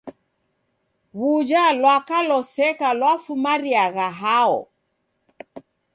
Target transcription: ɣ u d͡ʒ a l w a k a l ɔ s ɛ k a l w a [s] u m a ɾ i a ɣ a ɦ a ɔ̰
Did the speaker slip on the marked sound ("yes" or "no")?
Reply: yes